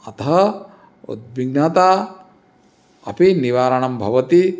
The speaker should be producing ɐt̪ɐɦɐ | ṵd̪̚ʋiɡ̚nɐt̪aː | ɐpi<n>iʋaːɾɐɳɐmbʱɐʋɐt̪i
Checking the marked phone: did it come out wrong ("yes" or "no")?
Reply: no